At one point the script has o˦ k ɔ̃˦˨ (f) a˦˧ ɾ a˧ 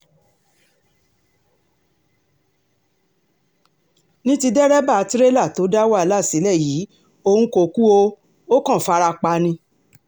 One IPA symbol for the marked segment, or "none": f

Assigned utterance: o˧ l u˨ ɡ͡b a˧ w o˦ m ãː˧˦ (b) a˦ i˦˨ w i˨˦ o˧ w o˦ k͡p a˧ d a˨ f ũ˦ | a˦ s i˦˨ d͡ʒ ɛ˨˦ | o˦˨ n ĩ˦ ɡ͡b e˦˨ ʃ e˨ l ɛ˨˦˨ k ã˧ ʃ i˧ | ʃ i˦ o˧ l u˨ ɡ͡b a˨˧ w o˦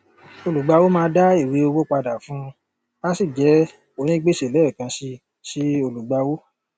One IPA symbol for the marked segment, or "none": d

